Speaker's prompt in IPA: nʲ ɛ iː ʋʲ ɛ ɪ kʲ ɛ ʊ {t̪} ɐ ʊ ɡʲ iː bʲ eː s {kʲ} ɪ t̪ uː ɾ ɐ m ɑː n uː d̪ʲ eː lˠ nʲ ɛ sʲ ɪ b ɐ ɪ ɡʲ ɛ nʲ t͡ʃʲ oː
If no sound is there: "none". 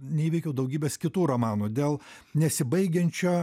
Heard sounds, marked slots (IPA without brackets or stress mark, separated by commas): d̪, kʲ